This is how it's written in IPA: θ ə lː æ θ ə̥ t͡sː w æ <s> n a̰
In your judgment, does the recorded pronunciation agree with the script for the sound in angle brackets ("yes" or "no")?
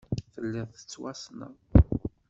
yes